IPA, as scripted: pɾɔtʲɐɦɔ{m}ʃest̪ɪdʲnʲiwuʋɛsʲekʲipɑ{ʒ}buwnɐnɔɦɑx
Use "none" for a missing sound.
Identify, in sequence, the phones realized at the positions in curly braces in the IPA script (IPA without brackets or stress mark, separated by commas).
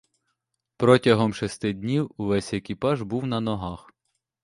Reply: m, ʒ